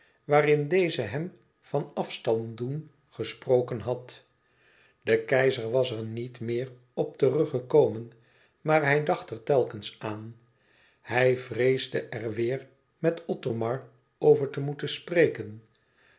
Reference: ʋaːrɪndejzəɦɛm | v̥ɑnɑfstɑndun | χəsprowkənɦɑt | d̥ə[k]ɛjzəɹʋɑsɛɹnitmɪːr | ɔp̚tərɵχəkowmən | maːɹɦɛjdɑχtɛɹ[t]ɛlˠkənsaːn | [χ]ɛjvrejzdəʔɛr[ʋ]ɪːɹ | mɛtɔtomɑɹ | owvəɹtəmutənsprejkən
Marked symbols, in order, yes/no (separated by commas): yes, yes, no, yes